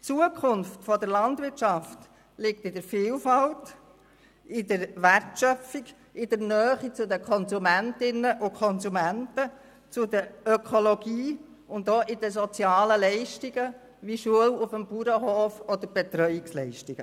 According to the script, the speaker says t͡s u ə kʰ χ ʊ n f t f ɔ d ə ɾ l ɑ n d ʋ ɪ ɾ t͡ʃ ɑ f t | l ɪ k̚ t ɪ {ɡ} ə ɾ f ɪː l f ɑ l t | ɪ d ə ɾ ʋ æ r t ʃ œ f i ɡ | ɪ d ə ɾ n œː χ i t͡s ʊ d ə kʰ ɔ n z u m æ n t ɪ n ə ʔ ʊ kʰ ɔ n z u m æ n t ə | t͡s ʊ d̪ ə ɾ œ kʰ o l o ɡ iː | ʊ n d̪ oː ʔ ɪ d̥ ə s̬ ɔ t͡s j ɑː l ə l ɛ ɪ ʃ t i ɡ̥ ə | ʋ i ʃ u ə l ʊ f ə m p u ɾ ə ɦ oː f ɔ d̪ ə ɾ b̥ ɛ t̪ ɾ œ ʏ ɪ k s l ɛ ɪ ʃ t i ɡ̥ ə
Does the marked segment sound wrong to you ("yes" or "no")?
yes